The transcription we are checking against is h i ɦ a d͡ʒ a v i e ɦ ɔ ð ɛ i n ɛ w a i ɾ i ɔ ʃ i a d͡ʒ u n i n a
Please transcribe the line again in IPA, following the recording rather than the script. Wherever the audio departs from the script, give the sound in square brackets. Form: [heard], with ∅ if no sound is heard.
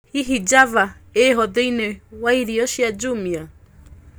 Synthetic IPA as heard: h i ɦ [i] d͡ʒ a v [a] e ɦ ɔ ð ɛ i n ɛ w a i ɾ i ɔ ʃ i a d͡ʒ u [m] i [∅] a